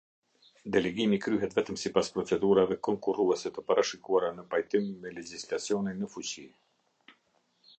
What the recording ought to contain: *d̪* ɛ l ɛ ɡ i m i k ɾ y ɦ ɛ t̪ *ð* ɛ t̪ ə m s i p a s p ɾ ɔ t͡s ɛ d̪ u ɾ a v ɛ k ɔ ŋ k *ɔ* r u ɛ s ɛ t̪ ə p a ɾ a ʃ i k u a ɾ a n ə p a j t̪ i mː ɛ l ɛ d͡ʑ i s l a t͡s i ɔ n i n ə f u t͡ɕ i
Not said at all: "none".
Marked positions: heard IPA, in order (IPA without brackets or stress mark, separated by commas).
d̪, v, u